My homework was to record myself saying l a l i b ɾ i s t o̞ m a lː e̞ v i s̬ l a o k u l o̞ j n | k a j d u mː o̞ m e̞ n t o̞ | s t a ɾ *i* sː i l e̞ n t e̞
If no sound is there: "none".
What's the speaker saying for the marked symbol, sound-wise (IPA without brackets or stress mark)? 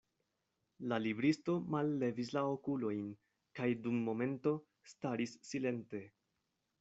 i